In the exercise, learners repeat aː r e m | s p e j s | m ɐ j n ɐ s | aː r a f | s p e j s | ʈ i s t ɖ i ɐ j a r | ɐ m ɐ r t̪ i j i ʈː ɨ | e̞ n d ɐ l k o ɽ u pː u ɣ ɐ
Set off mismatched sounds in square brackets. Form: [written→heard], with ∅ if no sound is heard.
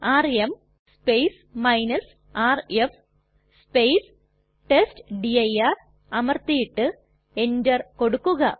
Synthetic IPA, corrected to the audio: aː r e m | s p e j s | m ɐ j n ɐ s | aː r [a→e] f | s p e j s | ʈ [i→e] s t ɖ i ɐ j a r | ɐ m ɐ r t̪ i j i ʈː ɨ | e̞ n d ɐ [l→r] k o ɽ u [pː→kː] u ɣ ɐ